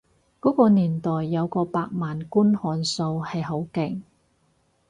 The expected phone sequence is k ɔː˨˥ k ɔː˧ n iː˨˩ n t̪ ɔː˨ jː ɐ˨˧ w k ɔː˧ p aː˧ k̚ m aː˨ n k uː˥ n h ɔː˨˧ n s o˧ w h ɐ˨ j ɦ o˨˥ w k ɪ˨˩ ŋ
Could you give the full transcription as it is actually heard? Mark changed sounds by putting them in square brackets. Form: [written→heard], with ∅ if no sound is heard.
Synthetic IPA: k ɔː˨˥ k ɔː˧ n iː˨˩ n t̪ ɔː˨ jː ɐ˨˧ w k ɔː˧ p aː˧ k̚ m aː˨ n k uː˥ n h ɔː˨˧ n s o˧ w h ɐ˨ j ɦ o˨˥ w k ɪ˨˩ ŋ